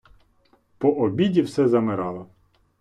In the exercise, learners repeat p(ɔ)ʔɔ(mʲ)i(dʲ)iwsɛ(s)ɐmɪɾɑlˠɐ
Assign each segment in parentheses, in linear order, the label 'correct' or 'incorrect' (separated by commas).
correct, incorrect, correct, incorrect